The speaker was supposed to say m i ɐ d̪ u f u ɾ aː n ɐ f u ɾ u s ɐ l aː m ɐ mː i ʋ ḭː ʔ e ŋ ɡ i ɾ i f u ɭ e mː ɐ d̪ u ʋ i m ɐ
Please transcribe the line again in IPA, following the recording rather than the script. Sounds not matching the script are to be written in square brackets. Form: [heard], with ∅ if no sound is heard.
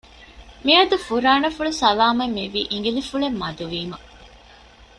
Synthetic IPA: m i ɐ d̪ u f u ɾ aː n ɐ f u [ɭ] u s ɐ l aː m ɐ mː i ʋ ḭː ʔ [i] ŋ ɡ i [l] i f u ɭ e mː ɐ d̪ u ʋ [iː] m ɐ